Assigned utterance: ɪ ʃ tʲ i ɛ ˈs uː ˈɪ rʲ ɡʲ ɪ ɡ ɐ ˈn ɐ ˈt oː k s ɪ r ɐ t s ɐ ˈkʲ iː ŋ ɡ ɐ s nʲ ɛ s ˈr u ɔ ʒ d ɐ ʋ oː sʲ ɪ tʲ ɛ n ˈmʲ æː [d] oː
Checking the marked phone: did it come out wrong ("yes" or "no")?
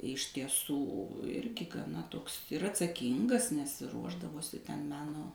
yes